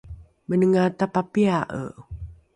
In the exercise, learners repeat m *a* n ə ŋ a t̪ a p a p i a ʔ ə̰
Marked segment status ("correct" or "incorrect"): incorrect